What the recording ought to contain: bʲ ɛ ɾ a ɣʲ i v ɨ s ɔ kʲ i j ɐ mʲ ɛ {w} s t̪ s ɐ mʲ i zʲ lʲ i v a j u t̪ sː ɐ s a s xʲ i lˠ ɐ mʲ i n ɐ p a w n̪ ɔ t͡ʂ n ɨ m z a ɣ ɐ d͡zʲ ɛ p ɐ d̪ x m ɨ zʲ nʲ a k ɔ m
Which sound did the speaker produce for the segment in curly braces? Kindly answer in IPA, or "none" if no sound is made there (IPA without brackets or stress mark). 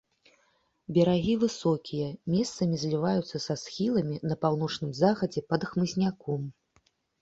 none